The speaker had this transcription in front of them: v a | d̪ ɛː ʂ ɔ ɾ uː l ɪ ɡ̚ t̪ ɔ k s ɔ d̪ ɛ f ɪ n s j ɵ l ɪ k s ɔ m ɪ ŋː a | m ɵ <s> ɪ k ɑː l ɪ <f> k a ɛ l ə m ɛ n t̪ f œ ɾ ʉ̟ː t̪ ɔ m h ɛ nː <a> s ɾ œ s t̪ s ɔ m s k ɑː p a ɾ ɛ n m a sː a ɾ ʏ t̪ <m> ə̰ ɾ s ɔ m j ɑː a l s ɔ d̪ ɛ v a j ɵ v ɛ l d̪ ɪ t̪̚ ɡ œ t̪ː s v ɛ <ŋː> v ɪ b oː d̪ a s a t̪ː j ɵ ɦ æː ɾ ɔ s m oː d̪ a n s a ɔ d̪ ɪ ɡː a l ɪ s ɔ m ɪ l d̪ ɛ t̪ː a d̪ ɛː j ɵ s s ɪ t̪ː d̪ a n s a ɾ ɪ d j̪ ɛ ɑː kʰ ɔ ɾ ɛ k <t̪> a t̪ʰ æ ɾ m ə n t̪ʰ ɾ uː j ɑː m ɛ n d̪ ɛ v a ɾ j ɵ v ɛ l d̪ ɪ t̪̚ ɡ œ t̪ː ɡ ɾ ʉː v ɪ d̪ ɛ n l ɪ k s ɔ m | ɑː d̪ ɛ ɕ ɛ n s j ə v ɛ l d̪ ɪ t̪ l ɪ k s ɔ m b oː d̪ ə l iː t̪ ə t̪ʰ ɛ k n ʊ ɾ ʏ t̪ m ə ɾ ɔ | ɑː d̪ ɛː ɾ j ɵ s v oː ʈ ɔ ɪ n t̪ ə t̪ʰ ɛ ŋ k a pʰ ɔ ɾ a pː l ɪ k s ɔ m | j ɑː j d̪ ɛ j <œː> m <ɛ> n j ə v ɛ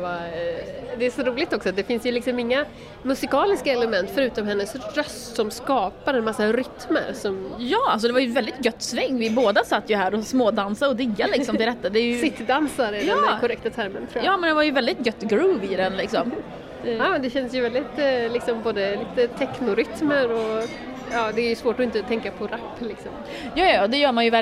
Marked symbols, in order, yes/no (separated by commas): yes, no, no, yes, yes, yes, yes, no